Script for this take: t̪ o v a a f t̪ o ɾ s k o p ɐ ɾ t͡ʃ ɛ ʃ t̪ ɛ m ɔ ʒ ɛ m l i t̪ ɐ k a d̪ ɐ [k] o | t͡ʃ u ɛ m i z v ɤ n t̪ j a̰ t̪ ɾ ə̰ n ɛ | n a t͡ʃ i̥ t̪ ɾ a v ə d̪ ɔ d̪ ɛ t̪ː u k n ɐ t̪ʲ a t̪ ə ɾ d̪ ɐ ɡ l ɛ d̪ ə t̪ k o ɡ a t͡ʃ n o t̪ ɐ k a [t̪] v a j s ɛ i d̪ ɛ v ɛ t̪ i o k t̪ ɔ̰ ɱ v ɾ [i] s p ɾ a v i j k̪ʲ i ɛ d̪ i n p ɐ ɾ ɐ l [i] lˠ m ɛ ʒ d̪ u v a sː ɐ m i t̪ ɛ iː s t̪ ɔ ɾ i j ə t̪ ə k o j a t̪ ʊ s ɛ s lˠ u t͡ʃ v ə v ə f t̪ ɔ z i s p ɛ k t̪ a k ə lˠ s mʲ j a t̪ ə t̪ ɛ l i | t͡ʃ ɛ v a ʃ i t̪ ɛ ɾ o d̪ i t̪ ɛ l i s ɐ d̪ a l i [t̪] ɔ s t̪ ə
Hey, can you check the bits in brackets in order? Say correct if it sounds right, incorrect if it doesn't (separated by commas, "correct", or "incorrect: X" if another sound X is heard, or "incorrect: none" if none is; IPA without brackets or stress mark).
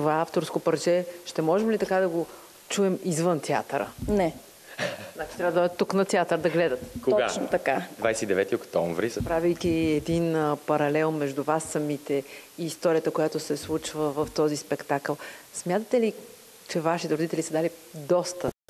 incorrect: ɡ, incorrect: d̪, correct, incorrect: ɛ, incorrect: d̪